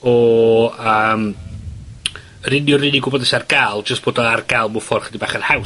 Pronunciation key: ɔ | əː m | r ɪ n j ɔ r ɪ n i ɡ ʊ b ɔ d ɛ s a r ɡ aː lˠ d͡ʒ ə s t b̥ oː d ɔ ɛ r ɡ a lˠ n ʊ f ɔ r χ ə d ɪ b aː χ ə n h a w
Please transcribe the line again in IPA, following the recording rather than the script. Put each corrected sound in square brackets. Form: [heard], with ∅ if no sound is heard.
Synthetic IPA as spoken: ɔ | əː m | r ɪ n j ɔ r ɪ n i ɡ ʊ b ɔ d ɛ s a r ɡ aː lˠ d͡ʒ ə s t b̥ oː d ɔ [a] r ɡ a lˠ [m] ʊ f ɔ r χ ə d [i] b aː χ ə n h a w